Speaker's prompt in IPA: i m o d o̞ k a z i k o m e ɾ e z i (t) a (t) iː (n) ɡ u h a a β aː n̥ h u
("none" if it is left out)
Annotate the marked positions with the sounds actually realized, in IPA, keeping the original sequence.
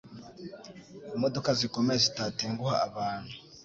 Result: t, t, ŋ

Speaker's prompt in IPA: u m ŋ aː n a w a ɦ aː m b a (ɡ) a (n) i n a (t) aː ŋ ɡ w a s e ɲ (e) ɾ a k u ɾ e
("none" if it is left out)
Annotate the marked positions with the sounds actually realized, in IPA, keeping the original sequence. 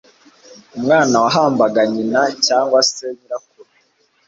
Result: ɡ, ɲ, c, i

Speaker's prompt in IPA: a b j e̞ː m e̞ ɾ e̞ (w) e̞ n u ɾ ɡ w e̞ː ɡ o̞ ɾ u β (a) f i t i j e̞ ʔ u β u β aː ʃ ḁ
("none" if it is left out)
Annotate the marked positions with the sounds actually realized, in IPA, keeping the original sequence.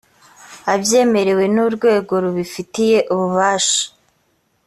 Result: w, i

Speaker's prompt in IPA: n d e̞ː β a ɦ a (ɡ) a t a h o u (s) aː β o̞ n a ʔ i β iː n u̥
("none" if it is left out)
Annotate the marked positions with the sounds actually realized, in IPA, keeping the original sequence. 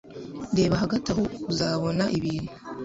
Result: ɡ, z

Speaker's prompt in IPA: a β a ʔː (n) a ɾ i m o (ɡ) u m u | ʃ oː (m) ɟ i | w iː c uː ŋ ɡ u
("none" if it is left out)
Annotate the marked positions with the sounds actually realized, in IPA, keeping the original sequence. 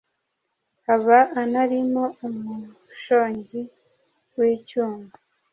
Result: n, none, ɲ

